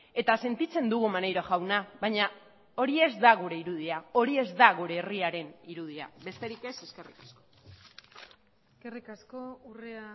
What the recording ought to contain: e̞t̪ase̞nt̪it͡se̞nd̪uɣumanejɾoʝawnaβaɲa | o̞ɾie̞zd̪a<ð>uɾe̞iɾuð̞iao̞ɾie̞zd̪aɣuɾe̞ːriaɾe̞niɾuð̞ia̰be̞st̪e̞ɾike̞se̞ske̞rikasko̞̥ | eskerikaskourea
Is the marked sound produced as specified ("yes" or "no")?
no